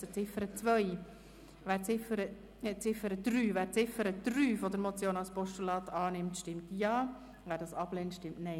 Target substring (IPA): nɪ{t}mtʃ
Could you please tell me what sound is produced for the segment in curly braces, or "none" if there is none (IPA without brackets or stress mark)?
none